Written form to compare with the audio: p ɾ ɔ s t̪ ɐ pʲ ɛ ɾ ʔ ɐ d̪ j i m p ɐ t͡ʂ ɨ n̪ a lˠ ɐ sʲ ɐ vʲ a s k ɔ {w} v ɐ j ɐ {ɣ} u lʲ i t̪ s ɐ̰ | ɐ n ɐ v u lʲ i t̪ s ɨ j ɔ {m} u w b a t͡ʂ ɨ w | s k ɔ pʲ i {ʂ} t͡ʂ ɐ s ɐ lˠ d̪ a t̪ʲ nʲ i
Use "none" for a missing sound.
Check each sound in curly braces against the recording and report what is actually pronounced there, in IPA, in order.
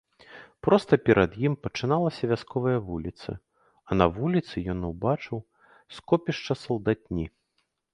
none, v, n, ʂ

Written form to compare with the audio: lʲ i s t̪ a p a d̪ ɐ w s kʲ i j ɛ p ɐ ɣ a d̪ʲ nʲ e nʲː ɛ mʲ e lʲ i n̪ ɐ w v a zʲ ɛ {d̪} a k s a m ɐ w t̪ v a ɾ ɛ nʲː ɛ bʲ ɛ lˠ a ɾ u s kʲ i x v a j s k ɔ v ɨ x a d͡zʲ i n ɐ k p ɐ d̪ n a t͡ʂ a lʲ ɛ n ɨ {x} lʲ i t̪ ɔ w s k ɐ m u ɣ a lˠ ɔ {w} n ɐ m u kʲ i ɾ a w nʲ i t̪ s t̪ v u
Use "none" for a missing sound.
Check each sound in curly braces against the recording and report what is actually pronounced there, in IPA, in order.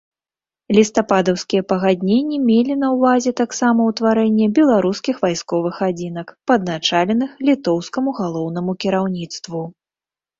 t̪, x, w

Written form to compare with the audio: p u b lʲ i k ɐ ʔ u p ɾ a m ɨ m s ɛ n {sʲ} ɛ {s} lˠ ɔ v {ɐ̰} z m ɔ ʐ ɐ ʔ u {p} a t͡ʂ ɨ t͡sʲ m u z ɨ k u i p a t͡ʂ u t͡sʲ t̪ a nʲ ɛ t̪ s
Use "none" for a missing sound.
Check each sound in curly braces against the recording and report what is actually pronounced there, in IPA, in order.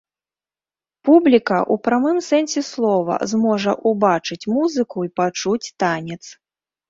sʲ, s, ɐ̰, b

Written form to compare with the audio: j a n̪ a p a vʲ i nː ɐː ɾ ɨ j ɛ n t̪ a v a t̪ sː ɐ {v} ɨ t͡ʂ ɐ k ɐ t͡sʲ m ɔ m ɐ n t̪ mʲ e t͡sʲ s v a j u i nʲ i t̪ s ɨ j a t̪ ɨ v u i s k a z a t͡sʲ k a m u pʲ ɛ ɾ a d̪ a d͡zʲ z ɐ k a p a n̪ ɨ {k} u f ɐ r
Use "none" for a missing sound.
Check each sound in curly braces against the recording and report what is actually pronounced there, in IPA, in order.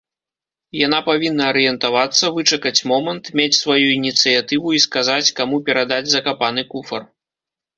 v, k

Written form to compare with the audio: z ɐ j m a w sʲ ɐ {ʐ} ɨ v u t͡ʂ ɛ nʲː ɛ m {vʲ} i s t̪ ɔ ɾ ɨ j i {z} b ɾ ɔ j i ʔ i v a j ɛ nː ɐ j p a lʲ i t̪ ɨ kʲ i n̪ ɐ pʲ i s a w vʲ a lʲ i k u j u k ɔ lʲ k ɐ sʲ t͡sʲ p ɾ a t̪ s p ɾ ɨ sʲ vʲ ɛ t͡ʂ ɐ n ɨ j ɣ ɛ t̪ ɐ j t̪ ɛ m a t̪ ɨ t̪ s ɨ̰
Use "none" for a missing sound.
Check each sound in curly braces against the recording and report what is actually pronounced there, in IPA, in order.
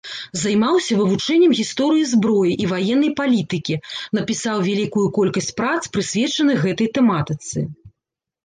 v, ɣʲ, z

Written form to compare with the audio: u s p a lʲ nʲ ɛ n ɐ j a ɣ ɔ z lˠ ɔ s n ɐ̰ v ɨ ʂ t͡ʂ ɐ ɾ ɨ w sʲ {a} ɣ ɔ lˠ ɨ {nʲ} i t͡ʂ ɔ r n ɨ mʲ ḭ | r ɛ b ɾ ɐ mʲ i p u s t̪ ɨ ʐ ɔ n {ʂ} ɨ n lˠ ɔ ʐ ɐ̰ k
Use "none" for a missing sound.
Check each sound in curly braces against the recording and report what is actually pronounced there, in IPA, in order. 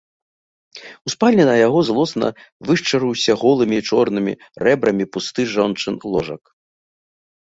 ɐ, mʲ, t͡ʂ

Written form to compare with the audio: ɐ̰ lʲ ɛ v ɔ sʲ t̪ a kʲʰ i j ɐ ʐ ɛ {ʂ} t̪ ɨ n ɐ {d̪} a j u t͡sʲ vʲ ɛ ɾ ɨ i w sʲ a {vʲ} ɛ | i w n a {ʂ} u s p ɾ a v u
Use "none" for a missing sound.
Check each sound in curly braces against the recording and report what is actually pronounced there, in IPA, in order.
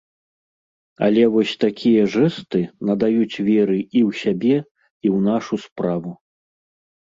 s, d̪, bʲ, ʂ

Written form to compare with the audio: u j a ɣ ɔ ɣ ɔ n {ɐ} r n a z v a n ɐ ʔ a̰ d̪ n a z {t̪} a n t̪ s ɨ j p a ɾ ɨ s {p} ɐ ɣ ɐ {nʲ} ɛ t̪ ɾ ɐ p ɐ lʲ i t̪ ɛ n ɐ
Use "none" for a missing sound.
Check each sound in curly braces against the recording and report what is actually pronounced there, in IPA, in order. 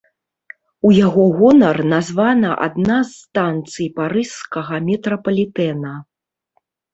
ɐ, t̪, k, mʲ

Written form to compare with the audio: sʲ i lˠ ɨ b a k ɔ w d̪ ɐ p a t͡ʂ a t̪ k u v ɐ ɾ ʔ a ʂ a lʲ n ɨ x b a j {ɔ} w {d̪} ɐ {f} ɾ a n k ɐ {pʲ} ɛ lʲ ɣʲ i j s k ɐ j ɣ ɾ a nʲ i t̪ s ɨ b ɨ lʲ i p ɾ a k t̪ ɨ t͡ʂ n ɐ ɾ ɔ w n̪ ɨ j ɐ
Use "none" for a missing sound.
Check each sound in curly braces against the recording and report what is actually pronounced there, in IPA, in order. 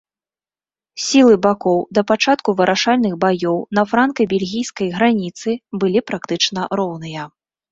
ɔ, n̪, f, bʲ

